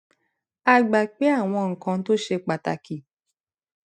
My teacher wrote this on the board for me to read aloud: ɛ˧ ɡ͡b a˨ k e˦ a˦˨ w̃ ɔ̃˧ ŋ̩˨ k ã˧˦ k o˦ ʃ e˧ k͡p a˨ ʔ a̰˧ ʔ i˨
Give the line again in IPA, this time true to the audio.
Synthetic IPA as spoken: a˧ ɡ͡b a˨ k͡p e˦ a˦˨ w̃ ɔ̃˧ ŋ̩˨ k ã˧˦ t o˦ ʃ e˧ k͡p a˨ t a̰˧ k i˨